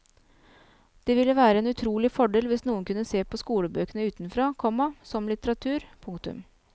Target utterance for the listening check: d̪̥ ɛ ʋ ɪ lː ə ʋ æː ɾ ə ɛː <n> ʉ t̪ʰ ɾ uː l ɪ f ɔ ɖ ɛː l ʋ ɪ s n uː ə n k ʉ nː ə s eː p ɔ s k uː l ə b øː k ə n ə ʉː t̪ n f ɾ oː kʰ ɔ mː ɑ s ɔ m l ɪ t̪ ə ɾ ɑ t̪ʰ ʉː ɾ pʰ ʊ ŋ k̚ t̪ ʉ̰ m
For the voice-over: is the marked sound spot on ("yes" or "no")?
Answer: yes